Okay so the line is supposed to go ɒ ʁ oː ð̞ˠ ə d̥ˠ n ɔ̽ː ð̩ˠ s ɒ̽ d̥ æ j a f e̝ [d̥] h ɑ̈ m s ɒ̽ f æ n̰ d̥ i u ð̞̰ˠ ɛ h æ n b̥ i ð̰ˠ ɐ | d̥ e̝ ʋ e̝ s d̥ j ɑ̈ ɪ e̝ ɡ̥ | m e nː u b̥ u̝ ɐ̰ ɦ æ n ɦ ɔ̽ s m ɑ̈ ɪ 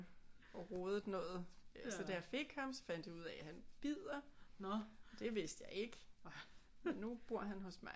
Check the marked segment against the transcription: incorrect: ɡ̥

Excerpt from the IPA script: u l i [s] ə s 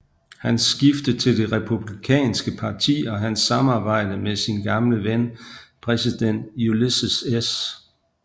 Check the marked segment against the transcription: correct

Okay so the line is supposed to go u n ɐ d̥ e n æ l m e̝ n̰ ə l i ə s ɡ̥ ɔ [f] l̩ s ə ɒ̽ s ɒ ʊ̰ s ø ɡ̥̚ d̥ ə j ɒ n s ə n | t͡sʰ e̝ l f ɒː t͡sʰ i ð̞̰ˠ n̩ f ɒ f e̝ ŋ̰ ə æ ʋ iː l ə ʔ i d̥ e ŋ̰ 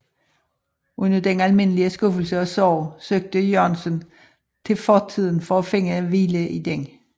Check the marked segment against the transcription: correct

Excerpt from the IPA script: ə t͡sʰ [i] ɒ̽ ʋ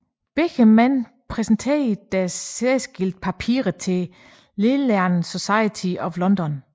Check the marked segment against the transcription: correct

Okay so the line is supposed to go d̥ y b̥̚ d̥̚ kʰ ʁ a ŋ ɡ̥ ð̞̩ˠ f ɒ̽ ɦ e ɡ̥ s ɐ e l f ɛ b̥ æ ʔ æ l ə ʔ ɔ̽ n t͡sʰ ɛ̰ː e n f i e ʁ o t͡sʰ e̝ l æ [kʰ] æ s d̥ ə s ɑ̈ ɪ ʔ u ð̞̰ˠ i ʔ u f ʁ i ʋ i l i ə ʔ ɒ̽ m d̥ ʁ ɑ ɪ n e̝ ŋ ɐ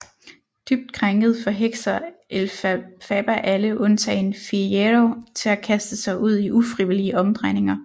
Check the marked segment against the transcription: correct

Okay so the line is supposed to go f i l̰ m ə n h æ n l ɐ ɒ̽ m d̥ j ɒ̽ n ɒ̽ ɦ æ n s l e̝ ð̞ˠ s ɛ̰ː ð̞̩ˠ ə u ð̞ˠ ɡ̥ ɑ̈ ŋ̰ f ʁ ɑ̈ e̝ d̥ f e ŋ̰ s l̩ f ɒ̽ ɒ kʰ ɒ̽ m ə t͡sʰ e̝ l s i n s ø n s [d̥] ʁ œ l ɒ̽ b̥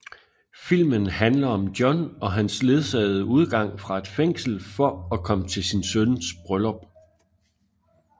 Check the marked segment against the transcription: incorrect: b̥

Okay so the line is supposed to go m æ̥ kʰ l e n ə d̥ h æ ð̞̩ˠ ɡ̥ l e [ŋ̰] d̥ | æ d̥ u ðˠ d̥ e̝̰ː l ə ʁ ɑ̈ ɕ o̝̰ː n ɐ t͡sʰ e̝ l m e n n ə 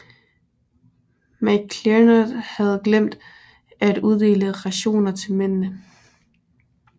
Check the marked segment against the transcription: incorrect: m̰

